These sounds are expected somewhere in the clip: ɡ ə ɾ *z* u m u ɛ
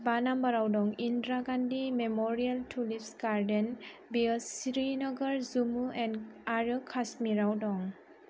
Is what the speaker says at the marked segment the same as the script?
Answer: yes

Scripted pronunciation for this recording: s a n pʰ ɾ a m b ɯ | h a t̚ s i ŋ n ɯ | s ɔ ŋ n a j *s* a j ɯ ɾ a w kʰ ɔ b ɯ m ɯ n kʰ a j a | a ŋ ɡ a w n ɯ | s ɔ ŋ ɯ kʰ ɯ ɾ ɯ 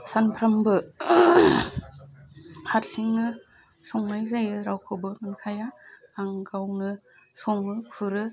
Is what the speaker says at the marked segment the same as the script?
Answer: no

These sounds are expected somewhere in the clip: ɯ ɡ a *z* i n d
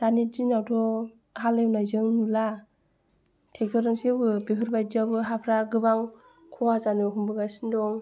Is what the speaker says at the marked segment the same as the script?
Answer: no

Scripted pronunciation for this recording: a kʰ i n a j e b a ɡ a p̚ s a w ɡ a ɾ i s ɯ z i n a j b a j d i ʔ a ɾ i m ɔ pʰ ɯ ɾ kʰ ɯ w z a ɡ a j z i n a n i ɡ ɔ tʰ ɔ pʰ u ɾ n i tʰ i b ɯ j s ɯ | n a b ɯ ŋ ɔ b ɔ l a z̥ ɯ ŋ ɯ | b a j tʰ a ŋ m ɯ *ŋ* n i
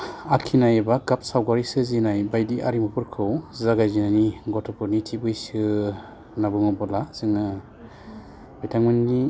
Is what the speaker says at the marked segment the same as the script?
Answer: no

